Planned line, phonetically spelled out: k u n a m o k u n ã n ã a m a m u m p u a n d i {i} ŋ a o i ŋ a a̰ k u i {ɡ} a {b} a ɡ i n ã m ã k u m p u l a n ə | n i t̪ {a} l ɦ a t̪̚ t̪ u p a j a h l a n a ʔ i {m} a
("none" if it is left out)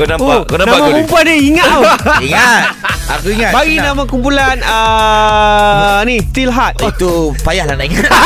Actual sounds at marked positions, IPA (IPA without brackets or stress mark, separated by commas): i, ŋ, b, i, ŋ